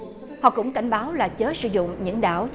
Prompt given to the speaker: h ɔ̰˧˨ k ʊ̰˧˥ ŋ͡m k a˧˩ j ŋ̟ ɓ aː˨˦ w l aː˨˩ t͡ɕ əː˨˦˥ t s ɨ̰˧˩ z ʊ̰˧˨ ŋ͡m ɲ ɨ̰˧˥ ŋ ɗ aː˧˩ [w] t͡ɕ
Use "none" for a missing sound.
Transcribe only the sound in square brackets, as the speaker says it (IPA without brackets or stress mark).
w